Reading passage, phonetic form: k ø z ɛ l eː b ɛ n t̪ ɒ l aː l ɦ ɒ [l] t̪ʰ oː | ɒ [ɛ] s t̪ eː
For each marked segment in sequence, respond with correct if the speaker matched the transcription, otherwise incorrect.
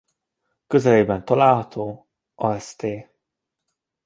incorrect: none, correct

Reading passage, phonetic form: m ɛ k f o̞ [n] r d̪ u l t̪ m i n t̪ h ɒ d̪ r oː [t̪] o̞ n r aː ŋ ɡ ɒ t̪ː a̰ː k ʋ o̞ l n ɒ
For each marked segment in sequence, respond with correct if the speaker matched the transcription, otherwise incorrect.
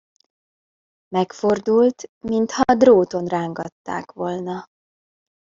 incorrect: none, correct

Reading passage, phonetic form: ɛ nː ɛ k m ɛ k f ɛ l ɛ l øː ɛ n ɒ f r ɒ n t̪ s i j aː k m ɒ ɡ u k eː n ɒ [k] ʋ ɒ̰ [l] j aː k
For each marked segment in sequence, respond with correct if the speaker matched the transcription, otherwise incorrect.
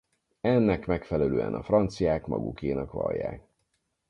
correct, correct

